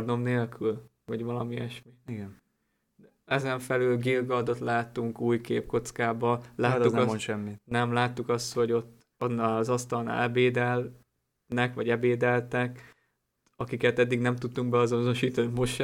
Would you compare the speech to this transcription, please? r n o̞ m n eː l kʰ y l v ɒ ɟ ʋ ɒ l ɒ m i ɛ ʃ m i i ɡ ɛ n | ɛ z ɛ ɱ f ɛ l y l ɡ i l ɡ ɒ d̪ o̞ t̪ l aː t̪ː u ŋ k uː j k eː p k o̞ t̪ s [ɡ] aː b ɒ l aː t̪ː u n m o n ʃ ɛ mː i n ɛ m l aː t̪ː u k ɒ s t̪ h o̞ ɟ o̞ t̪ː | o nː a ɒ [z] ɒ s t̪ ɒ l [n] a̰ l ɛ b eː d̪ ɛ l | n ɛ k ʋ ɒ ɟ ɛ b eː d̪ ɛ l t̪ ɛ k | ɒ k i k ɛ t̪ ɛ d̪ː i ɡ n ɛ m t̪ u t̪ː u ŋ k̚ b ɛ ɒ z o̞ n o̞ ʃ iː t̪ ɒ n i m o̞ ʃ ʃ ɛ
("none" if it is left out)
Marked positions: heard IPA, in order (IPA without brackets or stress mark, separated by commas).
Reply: k, z, n